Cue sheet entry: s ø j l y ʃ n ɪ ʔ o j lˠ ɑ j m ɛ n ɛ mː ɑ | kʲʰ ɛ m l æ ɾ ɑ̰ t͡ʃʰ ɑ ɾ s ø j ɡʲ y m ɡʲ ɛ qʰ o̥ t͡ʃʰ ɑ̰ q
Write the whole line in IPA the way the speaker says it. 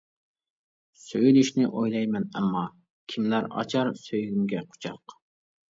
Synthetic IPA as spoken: s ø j l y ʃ n ɪ ʔ o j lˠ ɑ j m ɛ n ɛ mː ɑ | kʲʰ i m l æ ɾ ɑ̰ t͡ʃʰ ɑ ɾ s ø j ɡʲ y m ɡʲ ɛ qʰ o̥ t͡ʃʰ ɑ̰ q